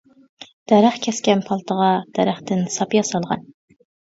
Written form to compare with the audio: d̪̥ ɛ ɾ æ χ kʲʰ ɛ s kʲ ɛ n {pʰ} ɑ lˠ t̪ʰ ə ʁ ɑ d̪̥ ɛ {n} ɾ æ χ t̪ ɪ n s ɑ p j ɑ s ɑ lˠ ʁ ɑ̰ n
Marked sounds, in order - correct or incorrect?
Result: correct, incorrect: none

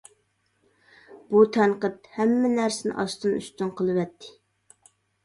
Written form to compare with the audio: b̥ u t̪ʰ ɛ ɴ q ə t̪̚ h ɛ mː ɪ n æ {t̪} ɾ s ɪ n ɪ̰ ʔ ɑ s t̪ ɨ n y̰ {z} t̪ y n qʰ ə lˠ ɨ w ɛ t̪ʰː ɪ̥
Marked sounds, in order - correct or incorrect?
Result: incorrect: none, incorrect: s

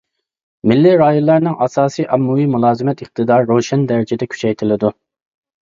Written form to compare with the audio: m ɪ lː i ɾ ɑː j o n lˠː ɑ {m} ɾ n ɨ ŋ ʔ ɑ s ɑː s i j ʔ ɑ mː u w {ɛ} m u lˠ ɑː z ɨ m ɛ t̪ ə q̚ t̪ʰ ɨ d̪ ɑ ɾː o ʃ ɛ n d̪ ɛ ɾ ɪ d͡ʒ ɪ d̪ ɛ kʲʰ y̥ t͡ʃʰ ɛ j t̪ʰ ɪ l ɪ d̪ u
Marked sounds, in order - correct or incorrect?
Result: incorrect: none, incorrect: i

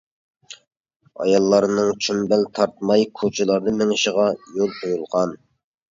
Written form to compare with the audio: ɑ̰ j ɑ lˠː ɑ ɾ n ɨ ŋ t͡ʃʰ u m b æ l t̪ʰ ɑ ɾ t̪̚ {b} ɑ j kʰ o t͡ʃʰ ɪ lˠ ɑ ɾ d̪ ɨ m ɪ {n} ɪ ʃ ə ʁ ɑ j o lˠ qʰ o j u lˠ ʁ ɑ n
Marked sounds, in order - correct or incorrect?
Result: incorrect: m, incorrect: ŋ

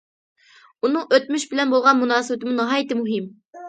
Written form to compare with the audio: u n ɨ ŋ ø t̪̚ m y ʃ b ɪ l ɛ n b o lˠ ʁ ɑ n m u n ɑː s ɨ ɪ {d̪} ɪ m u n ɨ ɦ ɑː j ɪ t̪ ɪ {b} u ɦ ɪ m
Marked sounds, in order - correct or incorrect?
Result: incorrect: t̪, incorrect: m

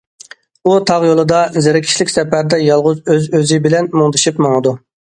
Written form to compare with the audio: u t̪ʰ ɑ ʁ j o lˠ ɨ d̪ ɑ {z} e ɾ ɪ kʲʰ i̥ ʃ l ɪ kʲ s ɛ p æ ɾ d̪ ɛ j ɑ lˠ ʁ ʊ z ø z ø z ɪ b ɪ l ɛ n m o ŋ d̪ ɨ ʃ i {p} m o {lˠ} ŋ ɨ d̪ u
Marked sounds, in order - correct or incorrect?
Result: correct, correct, incorrect: none

